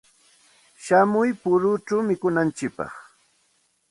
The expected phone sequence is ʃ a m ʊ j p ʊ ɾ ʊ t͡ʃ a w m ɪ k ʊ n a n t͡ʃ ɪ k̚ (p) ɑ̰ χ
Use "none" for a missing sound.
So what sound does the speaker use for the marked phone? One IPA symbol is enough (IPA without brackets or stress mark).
p